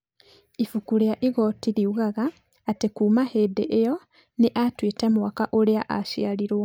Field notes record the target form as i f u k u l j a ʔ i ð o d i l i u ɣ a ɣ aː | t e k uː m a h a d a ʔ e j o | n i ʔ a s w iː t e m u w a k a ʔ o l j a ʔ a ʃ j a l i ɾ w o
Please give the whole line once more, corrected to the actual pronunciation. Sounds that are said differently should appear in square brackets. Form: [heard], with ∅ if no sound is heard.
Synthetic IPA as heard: i f u k u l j a ʔ i [ɣ] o [t] i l i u ɣ a ɣ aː | t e k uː m a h [e] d [e] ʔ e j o | n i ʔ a [t] w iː t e m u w a k a ʔ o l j a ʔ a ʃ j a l i ɾ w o